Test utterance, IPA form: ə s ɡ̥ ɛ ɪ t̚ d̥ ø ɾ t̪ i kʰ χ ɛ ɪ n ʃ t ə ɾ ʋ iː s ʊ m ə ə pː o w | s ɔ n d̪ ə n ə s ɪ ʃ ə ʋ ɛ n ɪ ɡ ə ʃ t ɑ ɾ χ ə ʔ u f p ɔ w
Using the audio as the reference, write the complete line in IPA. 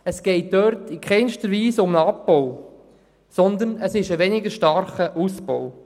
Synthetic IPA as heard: ə s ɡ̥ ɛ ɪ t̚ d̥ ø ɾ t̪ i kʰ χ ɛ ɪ n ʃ t ə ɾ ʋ iː s ʊ m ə ɑ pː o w | s ɔ n d̪ ə n ə s ɪ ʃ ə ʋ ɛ n ɪ ɡ ə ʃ t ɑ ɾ χ ə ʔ u s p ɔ w